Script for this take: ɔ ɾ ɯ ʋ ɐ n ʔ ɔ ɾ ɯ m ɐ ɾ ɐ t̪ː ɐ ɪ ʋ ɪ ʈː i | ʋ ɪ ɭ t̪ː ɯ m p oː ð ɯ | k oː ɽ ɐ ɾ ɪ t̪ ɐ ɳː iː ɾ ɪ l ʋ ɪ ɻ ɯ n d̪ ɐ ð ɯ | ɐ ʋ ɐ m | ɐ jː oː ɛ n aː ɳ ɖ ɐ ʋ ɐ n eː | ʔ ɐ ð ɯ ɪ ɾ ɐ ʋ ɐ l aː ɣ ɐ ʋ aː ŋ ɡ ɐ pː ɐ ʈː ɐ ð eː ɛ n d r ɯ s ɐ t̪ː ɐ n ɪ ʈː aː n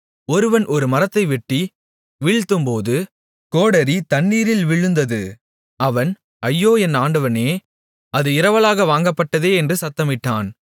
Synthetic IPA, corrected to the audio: ɔ ɾ ɯ ʋ ɐ n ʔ ɔ ɾ ɯ m ɐ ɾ ɐ t̪ː ɐ ɪ ʋ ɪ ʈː i | ʋ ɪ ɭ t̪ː ɯ m p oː ð ɯ | k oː ɽ ɐ ɾ i t̪ ɐ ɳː iː ɾ ɪ l ʋ ɪ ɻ ɯ n d̪ ɐ ð ɯ | ɐ ʋ ɐ n | ɐ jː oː ɛ n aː ɳ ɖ ɐ ʋ ɐ n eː | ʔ ɐ ð ɯ ɪ ɾ ɐ ʋ ɐ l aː ɣ ɐ ʋ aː ŋ ɡ ɐ pː ɐ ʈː ɐ ð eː ɛ n d r ɯ s ɐ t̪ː ɐ m ɪ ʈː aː n